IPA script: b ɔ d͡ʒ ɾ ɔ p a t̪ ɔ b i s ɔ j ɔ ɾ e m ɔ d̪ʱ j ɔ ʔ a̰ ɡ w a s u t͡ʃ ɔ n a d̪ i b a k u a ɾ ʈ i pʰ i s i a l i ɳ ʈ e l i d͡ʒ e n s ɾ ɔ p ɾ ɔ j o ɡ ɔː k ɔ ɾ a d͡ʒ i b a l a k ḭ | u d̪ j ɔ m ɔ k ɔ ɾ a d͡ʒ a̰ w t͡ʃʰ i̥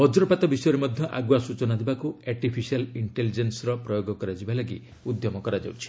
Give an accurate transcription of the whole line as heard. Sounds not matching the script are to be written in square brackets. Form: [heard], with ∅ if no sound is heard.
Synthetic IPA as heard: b ɔ d͡ʒ ɾ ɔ p a t̪ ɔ b i s ɔ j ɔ ɾ e m ɔ d̪ʱ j ɔ ʔ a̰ ɡ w a s u t͡ʃ ɔ n a d̪ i b a k u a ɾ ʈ i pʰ i s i a l i ɳ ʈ e l i d͡ʒ e n s ɾ ɔ p ɾ ɔ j o ɡ [ɔ] k ɔ ɾ a d͡ʒ i b a l a [ɡ] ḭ | u d̪ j ɔ m ɔ k ɔ ɾ a d͡ʒ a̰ w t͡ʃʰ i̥

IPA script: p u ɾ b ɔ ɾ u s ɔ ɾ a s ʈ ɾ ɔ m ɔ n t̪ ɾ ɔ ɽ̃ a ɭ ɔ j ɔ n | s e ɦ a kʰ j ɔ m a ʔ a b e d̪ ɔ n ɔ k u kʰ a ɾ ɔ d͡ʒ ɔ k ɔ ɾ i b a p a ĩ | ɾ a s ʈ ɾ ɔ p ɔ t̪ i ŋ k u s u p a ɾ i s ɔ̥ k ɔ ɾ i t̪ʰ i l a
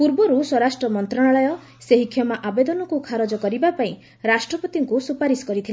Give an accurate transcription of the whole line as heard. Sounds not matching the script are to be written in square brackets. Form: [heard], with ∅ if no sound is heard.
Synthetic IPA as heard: p u ɾ b ɔ ɾ u s ɔ ɾ a s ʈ ɾ ɔ m ɔ n t̪ ɾ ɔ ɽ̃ a ɭ ɔ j ɔ [∅] | s e ɦ [i] kʰ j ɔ m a ʔ a b e d̪ ɔ n ɔ k u kʰ a ɾ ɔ d͡ʒ ɔ k ɔ ɾ i b a p a ĩ | ɾ a s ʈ ɾ ɔ p ɔ t̪ i ŋ k u s u p a ɾ i s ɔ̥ k ɔ ɾ i t̪ʰ i l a

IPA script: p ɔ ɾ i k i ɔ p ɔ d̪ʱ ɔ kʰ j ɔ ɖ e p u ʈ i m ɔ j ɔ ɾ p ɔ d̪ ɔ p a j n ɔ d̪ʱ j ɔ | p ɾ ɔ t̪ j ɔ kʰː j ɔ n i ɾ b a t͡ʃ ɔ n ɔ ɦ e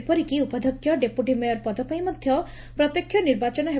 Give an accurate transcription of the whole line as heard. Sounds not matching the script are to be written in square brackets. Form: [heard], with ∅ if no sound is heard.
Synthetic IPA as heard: p ɔ ɾ i k i [u] p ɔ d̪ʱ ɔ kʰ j ɔ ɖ e p u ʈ i m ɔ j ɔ ɾ p ɔ d̪ ɔ p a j [m] ɔ d̪ʱ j ɔ | p ɾ ɔ t̪ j ɔ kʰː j ɔ n i ɾ b a t͡ʃ ɔ n ɔ ɦ e

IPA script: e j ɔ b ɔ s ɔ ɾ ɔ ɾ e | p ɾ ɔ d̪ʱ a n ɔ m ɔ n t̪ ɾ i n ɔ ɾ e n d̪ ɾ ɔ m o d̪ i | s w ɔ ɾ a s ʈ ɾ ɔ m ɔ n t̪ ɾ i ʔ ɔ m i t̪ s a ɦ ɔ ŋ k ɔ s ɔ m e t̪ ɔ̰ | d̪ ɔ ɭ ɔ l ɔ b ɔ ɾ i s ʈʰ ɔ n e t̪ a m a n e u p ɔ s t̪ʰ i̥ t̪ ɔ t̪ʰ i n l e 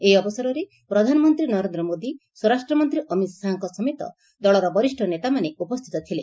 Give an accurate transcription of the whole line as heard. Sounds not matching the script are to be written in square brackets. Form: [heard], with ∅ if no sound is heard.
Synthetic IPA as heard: e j ɔ b ɔ s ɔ ɾ ɔ ɾ e | p ɾ ɔ d̪ʱ a n ɔ m ɔ n t̪ ɾ i n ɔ ɾ e n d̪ ɾ ɔ m o d̪ i | s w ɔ ɾ a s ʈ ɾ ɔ m ɔ n t̪ ɾ i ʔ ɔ m i t̪ s a ɦ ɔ ŋ k ɔ s ɔ m e t̪ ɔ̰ | d̪ ɔ ɭ ɔ [ɾ] ɔ b ɔ ɾ i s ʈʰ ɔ n e t̪ a m a n e u p ɔ s t̪ʰ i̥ t̪ ɔ t̪ʰ i [∅] l e

